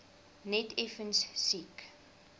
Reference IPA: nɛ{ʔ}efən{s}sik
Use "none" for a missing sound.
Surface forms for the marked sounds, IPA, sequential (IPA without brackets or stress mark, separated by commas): t, s